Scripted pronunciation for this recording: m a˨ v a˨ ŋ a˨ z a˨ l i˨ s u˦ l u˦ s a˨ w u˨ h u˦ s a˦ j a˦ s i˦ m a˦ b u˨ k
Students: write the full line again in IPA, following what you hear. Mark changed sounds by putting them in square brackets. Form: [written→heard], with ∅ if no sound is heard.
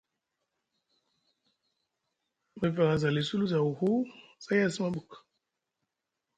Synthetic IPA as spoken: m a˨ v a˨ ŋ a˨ z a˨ l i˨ s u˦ l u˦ [s→z] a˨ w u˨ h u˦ s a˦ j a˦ s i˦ m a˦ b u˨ k